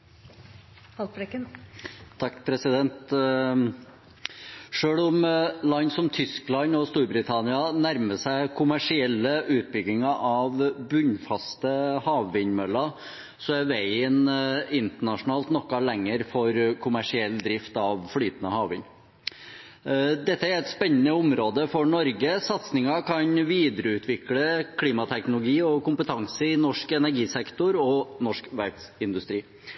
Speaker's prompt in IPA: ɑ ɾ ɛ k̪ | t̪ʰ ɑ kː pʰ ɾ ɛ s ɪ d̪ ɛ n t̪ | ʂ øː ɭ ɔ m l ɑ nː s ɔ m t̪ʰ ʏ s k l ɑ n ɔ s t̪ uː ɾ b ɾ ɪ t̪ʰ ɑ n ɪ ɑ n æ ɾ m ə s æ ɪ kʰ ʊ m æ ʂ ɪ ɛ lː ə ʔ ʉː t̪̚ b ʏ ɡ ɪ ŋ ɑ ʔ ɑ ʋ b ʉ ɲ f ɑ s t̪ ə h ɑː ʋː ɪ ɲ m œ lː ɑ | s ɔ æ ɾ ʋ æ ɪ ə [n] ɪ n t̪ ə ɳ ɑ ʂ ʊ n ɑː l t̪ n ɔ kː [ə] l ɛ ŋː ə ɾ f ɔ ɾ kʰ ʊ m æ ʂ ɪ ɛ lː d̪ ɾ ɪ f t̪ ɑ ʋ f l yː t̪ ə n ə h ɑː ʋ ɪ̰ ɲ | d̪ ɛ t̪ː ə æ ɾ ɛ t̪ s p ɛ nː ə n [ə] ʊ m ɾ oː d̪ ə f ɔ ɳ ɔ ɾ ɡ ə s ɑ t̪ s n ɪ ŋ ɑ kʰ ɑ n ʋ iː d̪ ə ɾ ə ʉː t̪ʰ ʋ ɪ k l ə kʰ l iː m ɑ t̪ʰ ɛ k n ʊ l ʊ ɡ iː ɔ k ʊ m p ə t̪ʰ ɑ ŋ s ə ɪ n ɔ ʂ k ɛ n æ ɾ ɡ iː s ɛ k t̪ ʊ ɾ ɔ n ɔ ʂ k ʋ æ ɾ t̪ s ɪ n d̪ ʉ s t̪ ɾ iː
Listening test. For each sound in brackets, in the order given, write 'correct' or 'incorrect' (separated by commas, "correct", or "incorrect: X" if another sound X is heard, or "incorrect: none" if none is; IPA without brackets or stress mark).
correct, incorrect: ɑ, correct